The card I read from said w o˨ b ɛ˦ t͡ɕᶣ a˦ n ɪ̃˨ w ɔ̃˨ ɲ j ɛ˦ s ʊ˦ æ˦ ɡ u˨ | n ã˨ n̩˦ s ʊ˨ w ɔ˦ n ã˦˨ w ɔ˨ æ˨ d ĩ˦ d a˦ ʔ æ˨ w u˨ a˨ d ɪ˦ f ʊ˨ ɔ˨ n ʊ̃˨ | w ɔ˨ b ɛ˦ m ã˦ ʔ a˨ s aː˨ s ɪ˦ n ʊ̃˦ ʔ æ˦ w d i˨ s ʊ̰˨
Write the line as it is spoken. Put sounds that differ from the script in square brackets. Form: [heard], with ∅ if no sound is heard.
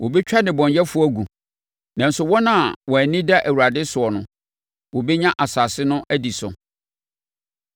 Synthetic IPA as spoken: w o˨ b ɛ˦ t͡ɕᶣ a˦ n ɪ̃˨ [b] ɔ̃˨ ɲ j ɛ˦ [f] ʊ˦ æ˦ ɡ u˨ | n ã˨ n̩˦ s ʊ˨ w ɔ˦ n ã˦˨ w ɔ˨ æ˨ [n] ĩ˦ d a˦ ʔ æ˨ w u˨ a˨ d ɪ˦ [s] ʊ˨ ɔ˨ n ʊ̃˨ | w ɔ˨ b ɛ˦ [ɲ] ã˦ ʔ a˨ s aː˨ s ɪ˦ n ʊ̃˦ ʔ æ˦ [∅] d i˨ s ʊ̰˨